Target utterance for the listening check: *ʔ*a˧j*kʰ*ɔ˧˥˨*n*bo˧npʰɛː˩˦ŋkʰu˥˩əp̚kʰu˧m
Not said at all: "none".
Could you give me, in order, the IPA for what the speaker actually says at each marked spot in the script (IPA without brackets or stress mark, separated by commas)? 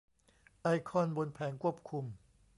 ʔ, kʰ, n